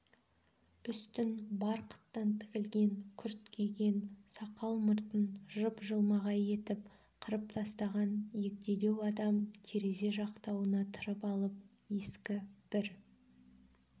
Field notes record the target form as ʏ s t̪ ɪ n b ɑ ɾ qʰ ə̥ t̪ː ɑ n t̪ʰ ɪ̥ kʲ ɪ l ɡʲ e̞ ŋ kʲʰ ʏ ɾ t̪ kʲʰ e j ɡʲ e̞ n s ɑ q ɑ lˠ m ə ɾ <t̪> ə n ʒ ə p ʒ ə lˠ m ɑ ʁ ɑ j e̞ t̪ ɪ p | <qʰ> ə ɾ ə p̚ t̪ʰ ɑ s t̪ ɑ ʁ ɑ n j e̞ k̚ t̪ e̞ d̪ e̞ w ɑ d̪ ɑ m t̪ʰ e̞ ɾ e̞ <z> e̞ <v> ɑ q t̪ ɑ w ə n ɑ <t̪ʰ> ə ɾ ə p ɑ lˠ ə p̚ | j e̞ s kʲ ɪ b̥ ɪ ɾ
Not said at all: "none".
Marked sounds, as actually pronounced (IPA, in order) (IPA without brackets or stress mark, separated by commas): t̪, qʰ, z, ʒ, t̪ʰ